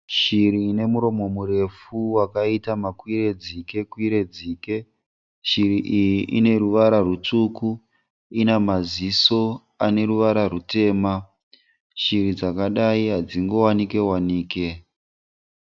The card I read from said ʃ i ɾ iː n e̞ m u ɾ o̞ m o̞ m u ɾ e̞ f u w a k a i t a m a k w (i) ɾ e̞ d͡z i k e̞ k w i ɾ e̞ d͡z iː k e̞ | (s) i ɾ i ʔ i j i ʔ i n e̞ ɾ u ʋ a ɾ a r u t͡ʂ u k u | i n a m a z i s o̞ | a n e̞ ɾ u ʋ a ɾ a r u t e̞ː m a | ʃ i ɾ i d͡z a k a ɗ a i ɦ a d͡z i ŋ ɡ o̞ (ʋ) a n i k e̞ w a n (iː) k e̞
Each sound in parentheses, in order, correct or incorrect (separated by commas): correct, incorrect, incorrect, correct